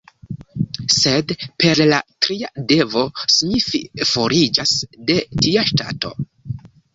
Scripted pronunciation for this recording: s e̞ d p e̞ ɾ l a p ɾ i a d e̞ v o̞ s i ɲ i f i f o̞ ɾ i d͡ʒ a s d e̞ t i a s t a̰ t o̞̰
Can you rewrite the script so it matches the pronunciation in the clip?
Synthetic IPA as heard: s e̞ d p e̞ ɾ l a t ɾ i a d e̞ v o̞ s i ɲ i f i f o̞ ɾ i d͡ʒ a s d e̞ t i a ʃ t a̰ t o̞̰